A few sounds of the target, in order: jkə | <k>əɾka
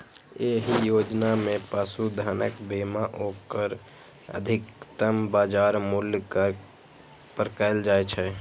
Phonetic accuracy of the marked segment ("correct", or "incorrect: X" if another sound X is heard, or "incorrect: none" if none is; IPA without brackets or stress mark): incorrect: p